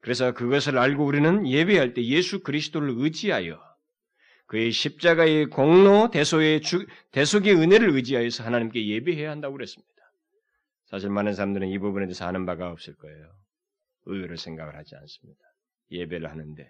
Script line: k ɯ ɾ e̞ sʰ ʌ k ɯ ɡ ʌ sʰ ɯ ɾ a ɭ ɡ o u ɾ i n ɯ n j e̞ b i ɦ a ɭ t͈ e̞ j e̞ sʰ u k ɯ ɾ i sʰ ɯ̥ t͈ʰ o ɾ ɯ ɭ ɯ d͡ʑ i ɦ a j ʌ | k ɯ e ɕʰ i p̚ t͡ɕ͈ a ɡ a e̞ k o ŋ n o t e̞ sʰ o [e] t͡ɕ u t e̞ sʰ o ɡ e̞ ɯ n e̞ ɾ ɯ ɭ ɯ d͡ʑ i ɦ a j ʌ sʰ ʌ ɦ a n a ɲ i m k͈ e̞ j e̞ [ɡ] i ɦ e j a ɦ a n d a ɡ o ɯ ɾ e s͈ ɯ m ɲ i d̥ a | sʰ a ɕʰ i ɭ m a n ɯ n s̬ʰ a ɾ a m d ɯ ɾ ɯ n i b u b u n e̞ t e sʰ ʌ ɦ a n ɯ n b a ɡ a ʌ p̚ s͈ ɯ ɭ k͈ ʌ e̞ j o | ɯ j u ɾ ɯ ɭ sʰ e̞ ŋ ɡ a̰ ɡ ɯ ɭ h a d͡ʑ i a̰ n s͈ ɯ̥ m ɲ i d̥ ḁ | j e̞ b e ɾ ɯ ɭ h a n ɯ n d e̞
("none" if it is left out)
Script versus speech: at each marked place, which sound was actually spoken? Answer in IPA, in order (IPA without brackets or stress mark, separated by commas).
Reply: e, b